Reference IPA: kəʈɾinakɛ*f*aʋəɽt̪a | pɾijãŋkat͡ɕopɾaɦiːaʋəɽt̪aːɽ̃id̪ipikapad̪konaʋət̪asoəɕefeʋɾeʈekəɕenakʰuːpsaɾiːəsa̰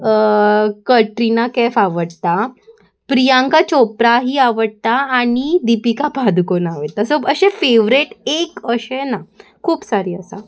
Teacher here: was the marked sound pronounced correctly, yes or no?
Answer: yes